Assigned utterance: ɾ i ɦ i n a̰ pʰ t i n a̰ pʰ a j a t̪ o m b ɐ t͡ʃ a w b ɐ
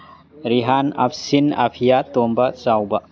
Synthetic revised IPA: ɾ i ɦ a n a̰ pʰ s i n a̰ pʰ i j a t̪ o m b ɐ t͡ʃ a w b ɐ